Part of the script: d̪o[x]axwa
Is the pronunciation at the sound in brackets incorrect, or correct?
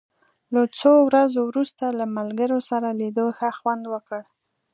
correct